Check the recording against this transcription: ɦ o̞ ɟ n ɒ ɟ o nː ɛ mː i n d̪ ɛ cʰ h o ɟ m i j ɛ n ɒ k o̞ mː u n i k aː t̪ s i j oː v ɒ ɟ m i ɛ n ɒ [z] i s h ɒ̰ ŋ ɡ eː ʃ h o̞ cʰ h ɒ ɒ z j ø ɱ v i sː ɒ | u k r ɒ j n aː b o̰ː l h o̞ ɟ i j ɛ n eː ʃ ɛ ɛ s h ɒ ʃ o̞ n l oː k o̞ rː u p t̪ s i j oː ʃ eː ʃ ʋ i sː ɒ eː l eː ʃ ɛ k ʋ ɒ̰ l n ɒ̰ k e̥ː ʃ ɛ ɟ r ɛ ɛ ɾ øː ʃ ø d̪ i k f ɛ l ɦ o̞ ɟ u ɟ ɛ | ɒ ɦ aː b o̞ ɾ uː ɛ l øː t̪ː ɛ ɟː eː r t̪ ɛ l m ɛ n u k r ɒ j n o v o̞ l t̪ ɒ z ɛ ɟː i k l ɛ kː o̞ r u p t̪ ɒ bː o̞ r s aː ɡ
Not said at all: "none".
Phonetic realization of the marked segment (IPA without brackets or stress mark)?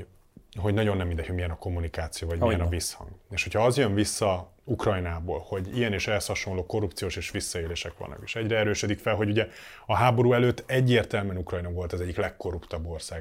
v